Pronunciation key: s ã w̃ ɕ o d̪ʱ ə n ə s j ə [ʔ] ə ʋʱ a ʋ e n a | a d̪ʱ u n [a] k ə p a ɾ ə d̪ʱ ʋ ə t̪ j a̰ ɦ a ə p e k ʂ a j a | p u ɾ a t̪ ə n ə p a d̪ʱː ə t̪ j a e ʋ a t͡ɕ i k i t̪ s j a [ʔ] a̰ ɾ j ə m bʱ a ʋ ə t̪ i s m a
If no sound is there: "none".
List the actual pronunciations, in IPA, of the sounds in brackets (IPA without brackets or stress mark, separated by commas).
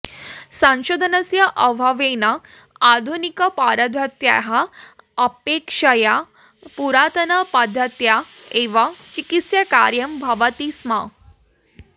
ʔ, i, k